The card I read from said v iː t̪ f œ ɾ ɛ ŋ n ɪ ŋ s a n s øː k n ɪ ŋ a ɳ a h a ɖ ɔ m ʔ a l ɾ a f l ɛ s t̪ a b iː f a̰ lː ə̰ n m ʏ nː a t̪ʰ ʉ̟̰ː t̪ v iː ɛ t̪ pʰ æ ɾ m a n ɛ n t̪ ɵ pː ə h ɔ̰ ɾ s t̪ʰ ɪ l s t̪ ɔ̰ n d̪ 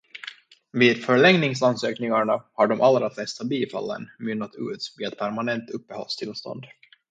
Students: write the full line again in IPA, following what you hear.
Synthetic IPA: v iː d̪ f œ ɭ ɛ ŋ n ɪ ŋ s a n s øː k n ɪ ŋ a ɳ a h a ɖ ɔ m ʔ a l ɾ a f l ɛ s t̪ a b iː f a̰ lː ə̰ n m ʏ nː a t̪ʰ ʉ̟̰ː t̪ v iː ɛ t̪ pʰ æ ɾ m a n ɛ n t̪ ɵ pː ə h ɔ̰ l s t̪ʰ ɪ l s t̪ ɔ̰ n d̪